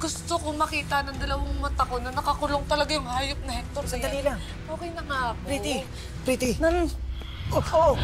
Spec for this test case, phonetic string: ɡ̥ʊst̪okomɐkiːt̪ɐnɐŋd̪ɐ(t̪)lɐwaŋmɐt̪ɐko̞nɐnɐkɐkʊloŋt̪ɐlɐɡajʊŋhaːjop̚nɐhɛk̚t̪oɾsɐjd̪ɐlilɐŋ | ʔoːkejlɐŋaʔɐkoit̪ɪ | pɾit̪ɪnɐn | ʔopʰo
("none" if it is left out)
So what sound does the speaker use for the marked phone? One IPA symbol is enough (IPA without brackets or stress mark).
none